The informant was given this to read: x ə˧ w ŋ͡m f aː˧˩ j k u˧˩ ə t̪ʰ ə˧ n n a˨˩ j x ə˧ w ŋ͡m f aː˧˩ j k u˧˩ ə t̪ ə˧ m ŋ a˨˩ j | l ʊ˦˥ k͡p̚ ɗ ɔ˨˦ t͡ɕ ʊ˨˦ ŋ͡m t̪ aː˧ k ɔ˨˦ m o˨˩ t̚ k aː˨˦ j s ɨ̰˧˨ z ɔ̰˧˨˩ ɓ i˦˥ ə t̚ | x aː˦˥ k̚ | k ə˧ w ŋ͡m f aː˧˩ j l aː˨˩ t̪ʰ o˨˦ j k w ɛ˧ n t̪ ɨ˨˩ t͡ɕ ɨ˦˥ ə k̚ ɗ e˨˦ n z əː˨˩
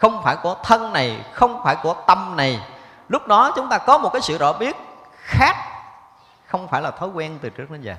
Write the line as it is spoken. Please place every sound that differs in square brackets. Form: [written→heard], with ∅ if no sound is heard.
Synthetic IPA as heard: x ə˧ w ŋ͡m f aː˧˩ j k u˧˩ ə t̪ʰ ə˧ n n a˨˩ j x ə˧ w ŋ͡m f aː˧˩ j k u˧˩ ə t̪ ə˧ m [ŋ→n] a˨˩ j | l ʊ˦˥ k͡p̚ ɗ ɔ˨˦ t͡ɕ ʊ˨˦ ŋ͡m t̪ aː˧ k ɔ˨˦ m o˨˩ t̚ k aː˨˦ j s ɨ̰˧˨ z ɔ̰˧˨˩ ɓ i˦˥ ə t̚ | x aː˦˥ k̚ | [k→x] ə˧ w ŋ͡m f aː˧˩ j l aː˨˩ t̪ʰ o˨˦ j k w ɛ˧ n t̪ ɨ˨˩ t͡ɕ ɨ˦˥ ə k̚ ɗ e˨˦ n z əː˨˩